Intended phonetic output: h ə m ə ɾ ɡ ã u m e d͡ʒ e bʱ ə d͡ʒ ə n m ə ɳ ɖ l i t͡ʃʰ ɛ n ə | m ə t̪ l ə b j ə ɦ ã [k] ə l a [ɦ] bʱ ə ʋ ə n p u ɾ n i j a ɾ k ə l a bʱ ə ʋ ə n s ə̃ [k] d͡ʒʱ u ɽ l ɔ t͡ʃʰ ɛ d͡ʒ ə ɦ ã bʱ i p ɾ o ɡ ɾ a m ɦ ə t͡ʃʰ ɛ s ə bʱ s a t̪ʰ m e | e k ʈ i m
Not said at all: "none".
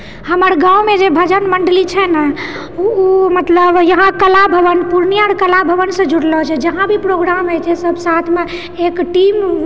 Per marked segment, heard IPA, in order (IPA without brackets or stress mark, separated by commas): k, none, none